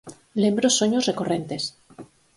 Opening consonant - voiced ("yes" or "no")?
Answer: yes